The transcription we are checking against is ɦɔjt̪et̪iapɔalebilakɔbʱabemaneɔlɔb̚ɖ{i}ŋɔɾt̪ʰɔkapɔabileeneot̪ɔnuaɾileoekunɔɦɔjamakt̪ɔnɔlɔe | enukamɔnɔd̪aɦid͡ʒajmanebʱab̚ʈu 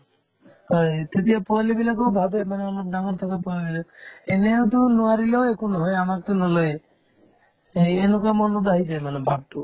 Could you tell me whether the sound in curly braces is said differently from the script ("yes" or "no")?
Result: yes